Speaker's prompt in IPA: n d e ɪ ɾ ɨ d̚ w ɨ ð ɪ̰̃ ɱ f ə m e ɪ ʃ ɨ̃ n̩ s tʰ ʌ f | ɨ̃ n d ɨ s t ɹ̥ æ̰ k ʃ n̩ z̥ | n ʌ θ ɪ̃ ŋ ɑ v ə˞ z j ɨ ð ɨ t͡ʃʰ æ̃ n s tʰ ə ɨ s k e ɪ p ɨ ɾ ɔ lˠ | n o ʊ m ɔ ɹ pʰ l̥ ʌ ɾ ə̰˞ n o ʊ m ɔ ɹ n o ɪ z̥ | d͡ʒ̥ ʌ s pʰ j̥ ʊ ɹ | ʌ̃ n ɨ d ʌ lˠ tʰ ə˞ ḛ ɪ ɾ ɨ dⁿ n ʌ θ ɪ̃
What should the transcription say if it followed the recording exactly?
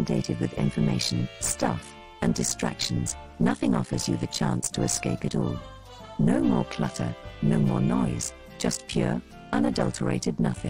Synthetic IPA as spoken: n d e ɪ ɾ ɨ d̚ w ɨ ð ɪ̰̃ ɱ f ə m e ɪ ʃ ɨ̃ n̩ s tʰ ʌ f | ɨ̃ n d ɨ s t ɹ̥ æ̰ k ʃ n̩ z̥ | n ʌ θ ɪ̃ ŋ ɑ f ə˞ z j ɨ ð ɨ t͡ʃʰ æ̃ n s tʰ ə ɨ s k e ɪ p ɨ ɾ ɔ lˠ | n o ʊ m ɔ ɹ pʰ l̥ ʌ ɾ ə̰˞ n o ʊ m ɔ ɹ n ɔ ɪ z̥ | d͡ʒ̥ ʌ s pʰ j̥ ʊ ɹ | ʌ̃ n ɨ d ʌ lˠ tʰ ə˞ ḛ ɪ ɾ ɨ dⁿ n ʌ θ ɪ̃